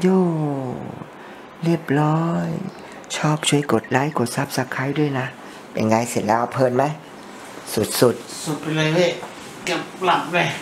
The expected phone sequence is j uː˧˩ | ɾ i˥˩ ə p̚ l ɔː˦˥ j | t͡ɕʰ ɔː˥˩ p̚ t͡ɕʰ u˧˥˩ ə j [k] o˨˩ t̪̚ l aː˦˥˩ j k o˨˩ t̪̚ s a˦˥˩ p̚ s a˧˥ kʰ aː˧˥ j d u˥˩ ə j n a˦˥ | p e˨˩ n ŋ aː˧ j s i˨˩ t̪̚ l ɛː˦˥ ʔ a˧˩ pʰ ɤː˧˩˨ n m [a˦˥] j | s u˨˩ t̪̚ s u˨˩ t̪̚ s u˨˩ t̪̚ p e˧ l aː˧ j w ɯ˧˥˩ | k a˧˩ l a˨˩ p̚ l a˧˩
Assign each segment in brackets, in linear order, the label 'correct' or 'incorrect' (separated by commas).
correct, correct